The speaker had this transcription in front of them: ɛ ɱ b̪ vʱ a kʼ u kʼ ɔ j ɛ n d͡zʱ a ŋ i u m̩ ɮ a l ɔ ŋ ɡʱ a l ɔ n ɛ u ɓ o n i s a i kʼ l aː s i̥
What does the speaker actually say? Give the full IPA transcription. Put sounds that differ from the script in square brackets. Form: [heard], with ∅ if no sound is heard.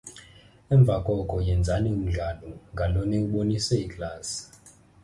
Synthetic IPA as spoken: ɛ ɱ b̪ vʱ a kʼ [ɔ] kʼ ɔ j ɛ n d͡zʱ a [n] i u m̩ ɮ a l ɔ ŋ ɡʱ a l ɔ n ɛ u ɓ o n i s [ɛ] i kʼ l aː s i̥